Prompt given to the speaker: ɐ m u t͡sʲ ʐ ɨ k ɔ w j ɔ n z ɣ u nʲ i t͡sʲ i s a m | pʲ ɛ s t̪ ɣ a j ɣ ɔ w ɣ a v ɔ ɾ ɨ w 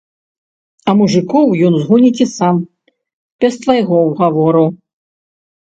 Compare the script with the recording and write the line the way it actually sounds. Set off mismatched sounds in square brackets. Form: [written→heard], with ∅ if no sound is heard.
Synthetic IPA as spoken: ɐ m u [t͡sʲ→∅] ʐ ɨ k ɔ w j ɔ n z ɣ u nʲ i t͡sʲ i s a m | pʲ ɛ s t̪ [ɣ→v] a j ɣ ɔ w ɣ a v ɔ ɾ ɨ w